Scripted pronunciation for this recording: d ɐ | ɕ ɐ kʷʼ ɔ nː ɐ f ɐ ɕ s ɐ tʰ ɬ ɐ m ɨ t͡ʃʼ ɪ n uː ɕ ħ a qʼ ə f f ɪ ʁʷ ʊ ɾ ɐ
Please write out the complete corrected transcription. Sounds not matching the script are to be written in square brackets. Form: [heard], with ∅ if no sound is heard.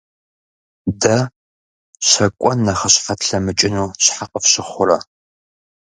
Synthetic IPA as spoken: d ɐ | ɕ ɐ kʷʼ ɔ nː ɐ [χ] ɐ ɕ [f] ɐ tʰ ɬ ɐ m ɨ t͡ʃʼ ɪ n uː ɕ ħ a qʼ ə f [ɕ] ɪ [χʷ] ʊ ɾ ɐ